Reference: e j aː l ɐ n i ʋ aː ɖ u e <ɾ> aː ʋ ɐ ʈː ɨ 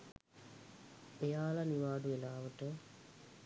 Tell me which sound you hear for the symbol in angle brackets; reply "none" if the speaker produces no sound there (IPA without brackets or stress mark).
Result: l